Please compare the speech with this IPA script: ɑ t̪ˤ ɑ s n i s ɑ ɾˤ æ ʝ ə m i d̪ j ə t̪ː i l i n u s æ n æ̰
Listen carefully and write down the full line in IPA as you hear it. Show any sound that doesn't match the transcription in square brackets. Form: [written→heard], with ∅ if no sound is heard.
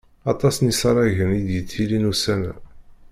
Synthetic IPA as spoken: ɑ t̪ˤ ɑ s n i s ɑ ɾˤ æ ʝ ə [m→n] i d̪ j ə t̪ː i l i n u s æ n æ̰

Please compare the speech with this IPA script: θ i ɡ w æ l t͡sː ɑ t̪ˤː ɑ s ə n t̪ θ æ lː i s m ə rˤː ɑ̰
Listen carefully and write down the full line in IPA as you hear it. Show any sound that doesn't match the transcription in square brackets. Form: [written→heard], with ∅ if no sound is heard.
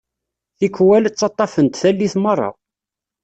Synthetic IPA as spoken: θ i [ɡ→k] w æ l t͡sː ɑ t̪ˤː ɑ [s→f] ə n t̪ θ æ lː i [s→θ] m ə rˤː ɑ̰

